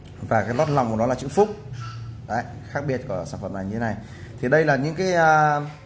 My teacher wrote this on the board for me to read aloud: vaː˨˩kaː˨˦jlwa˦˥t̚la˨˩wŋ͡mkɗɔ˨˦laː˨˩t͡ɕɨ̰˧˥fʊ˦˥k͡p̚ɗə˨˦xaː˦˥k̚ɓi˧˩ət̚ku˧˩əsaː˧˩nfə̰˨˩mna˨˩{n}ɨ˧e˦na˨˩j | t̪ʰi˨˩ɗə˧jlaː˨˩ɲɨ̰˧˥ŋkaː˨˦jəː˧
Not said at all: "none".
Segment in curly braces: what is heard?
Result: ɲ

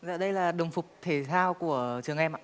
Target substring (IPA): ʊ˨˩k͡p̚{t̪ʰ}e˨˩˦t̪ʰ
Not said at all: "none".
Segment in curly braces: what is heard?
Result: t̪ʰ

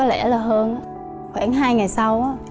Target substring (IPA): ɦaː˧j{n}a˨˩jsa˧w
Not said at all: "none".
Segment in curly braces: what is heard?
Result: ŋ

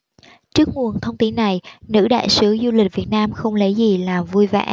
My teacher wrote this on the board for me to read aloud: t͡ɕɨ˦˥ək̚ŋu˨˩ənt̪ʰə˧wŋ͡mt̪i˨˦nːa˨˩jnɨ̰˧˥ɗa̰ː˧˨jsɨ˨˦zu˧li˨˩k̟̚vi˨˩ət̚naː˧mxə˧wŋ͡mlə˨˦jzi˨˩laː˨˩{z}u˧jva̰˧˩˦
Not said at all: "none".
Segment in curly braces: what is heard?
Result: v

